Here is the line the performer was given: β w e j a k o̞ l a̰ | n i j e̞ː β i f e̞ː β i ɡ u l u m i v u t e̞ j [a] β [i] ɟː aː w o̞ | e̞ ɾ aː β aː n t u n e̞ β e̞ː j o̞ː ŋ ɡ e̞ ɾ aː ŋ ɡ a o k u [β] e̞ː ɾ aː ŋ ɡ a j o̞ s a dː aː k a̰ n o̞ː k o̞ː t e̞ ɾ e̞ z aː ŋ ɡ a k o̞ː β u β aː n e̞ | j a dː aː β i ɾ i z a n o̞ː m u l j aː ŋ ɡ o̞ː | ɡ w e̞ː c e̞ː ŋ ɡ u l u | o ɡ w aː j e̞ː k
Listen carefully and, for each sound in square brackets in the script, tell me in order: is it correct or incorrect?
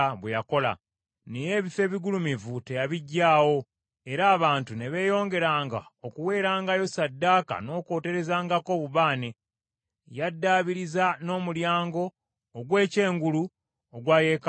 correct, correct, incorrect

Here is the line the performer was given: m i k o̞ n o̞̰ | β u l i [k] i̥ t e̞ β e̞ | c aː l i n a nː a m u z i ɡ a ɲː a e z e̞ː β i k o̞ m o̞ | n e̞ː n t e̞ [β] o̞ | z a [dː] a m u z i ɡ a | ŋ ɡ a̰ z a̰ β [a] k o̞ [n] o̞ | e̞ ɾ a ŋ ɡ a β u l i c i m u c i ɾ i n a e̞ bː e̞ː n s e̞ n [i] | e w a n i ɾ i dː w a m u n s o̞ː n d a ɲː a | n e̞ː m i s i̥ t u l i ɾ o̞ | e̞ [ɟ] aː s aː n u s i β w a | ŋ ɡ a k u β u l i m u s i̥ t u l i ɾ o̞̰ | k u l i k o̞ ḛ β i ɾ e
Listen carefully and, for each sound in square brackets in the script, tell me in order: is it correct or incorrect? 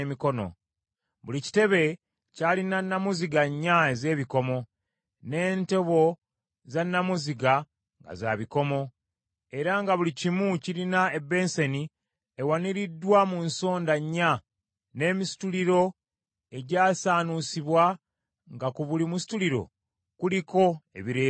incorrect, correct, incorrect, incorrect, incorrect, correct, correct

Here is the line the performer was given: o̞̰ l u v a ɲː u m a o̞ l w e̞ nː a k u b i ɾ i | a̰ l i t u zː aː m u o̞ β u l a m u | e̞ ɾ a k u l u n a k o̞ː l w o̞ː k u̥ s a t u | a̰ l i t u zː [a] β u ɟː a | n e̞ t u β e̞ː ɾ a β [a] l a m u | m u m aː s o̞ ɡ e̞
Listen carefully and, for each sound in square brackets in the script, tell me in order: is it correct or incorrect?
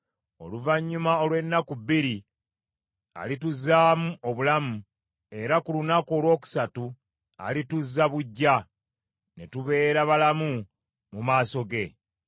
correct, correct

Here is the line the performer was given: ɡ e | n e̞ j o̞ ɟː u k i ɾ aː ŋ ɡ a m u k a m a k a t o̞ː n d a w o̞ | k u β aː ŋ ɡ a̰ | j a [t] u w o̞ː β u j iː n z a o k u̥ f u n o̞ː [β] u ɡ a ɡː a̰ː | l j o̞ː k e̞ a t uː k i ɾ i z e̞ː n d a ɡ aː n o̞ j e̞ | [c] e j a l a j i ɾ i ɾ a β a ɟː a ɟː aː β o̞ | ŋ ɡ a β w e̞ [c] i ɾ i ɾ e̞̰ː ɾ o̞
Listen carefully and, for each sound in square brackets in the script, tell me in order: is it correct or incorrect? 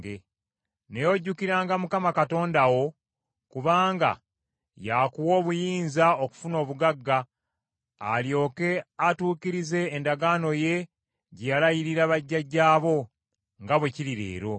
incorrect, correct, incorrect, correct

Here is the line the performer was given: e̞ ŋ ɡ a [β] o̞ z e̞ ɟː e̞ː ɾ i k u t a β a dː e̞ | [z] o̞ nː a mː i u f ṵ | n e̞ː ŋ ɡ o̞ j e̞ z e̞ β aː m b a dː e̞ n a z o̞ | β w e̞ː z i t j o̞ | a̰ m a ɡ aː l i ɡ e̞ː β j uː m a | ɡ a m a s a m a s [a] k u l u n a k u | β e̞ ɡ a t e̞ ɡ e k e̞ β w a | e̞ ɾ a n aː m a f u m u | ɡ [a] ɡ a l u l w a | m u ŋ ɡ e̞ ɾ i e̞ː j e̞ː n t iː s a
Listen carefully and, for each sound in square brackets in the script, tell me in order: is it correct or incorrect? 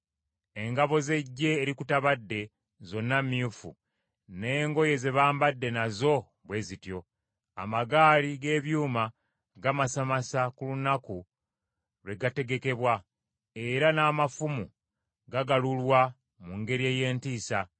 correct, correct, correct, correct

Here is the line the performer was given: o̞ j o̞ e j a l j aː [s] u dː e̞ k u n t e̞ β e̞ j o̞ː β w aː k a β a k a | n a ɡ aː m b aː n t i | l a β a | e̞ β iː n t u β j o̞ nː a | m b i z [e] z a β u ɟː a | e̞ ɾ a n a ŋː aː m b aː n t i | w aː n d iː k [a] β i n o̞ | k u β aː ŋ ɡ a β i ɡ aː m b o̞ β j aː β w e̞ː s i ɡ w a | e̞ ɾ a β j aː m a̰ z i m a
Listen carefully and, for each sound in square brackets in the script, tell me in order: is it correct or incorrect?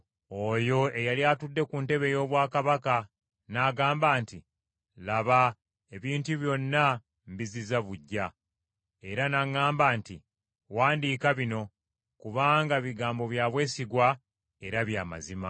incorrect, incorrect, correct

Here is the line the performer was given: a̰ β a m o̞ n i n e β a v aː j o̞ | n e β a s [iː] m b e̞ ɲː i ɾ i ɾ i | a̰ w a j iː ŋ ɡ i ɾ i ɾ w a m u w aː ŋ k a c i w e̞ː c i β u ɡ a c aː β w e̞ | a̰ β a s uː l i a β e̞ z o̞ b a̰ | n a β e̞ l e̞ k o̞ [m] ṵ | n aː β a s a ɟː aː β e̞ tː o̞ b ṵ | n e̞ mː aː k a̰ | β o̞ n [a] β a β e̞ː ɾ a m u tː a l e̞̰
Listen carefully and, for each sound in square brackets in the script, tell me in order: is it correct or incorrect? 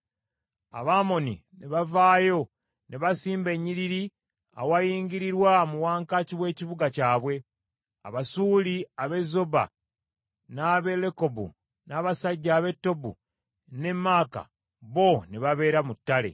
correct, incorrect, incorrect

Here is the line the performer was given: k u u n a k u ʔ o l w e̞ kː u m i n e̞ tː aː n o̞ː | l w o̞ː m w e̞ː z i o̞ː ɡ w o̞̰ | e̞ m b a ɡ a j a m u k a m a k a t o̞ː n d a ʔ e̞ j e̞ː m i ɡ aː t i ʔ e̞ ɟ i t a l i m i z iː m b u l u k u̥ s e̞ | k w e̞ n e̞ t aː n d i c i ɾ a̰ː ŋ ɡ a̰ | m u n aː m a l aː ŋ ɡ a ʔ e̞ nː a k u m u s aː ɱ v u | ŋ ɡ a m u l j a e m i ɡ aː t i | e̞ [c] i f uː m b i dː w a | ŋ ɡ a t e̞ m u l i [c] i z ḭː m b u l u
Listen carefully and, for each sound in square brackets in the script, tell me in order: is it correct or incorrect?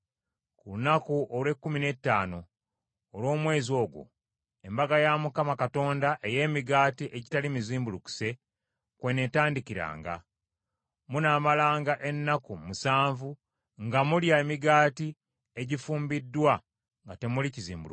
incorrect, correct

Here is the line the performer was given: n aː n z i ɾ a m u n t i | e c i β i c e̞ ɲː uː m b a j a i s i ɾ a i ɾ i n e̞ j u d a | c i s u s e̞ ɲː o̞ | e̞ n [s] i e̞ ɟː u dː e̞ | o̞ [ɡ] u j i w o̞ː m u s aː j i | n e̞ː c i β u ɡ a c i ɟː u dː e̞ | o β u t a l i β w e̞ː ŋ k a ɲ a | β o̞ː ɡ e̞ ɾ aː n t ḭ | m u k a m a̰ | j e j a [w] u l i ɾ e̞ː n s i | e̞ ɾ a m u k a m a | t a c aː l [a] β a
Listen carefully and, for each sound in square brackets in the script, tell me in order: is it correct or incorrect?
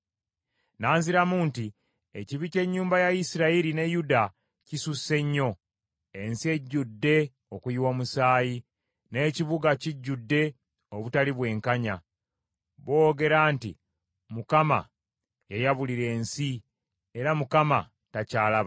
correct, incorrect, incorrect, correct

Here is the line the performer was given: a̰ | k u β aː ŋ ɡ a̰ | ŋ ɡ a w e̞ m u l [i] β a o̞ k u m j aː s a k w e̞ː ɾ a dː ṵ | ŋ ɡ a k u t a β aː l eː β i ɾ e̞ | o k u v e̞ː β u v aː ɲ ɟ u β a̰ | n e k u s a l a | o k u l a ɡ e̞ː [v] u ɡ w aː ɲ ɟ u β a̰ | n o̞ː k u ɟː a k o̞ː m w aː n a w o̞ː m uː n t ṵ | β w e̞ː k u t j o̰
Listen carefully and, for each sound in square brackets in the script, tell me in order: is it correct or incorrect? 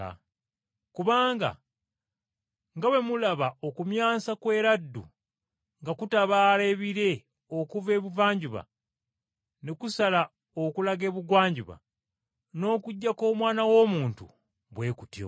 incorrect, incorrect

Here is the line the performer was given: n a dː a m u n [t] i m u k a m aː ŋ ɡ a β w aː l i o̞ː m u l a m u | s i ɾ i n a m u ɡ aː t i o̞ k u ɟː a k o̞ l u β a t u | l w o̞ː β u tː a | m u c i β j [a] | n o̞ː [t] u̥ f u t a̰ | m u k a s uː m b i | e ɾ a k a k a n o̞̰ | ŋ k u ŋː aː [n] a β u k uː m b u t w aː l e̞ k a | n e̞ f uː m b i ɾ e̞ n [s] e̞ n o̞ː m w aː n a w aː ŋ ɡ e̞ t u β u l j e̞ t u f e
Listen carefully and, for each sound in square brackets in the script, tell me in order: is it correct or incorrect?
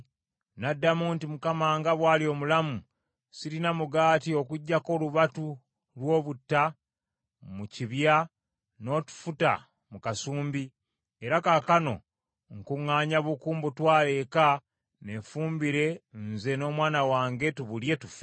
correct, correct, correct, incorrect, incorrect

